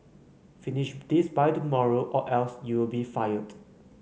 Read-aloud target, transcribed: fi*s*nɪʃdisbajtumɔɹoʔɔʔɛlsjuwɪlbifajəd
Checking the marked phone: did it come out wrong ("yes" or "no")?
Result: yes